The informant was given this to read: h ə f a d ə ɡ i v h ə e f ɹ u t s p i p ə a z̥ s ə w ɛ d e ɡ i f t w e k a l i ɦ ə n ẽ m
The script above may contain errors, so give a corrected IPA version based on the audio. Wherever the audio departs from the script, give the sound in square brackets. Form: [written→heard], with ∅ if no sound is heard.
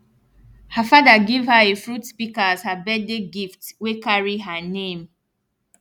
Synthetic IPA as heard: h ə f a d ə ɡ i v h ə e f ɹ u t s p i [p→k] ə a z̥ [s→h] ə [w→b] ɛ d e ɡ i f t w e k a [l→ɹ] i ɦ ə n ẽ m